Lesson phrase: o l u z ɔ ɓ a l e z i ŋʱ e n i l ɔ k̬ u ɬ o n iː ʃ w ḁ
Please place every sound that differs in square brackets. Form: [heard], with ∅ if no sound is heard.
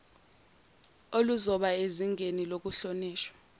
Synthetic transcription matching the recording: o l u z ɔ ɓ a [∅] e z i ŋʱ e n i l [o] k̬ u ɬ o n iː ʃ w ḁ